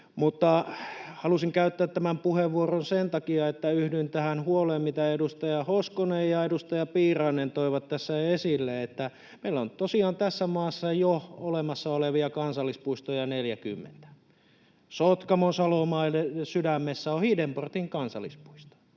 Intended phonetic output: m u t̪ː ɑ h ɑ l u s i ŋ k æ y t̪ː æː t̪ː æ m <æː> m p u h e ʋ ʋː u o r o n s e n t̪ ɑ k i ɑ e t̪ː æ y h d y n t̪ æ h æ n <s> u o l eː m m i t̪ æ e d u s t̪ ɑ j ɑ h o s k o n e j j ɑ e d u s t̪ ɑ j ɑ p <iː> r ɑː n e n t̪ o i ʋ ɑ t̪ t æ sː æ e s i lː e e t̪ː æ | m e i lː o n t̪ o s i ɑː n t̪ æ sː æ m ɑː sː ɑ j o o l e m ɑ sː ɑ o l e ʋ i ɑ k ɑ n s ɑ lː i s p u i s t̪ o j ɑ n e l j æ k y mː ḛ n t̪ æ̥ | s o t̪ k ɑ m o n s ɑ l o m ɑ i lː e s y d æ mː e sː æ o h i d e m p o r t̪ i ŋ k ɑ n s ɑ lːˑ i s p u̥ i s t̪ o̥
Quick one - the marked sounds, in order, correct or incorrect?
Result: incorrect: æ, incorrect: h, correct

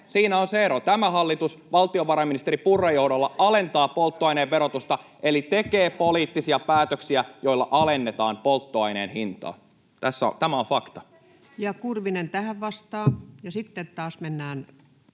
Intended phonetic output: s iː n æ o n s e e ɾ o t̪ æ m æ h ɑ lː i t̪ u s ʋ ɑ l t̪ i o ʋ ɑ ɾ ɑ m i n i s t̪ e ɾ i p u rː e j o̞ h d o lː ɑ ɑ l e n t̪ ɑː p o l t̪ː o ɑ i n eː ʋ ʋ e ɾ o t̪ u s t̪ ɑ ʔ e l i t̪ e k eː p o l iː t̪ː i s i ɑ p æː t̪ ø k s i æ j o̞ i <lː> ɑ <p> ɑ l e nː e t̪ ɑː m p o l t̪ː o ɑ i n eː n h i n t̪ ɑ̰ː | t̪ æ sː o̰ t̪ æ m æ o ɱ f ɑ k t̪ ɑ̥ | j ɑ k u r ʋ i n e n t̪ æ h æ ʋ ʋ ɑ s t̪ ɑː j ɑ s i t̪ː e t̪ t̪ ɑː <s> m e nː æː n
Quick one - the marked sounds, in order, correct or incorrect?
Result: correct, incorrect: ʔ, correct

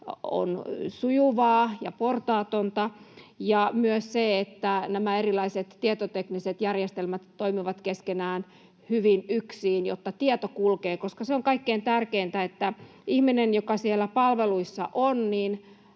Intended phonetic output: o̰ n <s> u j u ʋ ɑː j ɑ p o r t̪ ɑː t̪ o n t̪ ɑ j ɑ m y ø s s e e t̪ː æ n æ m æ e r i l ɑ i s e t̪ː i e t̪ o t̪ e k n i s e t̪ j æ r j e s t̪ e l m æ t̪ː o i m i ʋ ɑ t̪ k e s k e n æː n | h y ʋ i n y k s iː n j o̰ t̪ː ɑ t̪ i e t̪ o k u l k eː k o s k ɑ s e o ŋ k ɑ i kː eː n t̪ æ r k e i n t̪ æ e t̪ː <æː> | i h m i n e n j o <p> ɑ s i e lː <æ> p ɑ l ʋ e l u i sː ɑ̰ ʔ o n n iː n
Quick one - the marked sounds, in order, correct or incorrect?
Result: correct, incorrect: æ, incorrect: k, correct

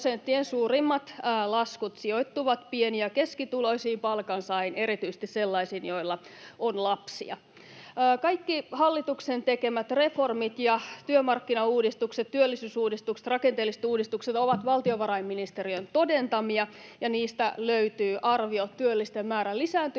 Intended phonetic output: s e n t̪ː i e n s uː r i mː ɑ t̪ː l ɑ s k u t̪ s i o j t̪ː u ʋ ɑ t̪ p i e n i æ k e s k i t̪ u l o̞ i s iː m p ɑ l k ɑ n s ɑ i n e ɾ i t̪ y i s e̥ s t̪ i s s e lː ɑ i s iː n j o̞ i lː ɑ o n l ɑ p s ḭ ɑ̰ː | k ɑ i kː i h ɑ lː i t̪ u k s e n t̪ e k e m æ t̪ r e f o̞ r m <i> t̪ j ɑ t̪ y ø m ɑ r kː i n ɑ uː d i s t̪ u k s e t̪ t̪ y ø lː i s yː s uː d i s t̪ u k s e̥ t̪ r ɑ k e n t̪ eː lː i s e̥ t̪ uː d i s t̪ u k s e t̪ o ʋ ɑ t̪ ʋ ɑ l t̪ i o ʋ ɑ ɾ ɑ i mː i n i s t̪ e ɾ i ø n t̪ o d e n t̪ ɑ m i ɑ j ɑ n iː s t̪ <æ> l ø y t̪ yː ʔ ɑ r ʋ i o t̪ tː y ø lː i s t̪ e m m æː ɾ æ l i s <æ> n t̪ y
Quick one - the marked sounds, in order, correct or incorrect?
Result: correct, correct, incorrect: æː

